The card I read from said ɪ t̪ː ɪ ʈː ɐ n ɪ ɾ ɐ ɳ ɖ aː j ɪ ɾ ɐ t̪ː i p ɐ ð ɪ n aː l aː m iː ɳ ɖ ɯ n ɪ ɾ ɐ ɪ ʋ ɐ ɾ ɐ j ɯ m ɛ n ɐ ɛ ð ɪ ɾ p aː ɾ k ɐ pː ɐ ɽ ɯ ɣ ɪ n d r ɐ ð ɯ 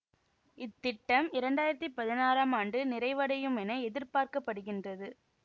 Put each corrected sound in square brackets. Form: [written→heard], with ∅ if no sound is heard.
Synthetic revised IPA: ɪ t̪ː ɪ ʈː ɐ [n→m] ɪ ɾ ɐ ɳ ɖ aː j ɪ ɾ ɐ t̪ː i p ɐ ð ɪ n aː [l→ɾ] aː m [iː→aː] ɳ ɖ ɯ n ɪ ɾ ɐ ɪ ʋ ɐ [ɾ→ɽ] ɐ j ɯ m ɛ n ɐ ɛ ð ɪ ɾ p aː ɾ k ɐ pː ɐ ɽ ɯ ɣ ɪ n d r ɐ ð ɯ